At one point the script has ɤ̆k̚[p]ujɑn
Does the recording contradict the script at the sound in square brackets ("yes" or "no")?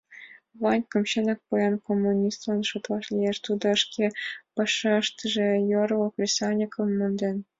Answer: no